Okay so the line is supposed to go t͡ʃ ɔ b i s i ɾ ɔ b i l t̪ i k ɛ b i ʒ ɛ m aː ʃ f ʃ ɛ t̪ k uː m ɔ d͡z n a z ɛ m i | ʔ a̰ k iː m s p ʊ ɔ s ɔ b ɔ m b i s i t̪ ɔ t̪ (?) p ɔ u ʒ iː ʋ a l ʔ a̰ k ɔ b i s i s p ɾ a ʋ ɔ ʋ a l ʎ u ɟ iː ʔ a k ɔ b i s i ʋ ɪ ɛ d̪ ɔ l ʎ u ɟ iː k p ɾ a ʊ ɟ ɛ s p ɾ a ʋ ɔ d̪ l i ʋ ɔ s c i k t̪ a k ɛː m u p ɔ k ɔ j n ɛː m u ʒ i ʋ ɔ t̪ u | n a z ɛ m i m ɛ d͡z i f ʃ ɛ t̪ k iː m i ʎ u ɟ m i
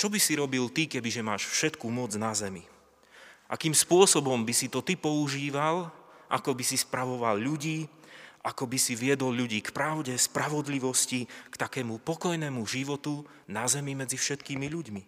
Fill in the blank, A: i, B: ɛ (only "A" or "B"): A